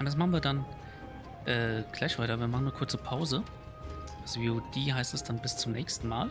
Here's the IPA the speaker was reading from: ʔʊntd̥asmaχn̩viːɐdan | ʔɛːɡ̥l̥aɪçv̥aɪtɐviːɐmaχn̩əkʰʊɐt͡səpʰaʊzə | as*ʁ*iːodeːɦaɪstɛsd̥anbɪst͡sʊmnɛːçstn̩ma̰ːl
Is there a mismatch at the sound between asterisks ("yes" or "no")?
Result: yes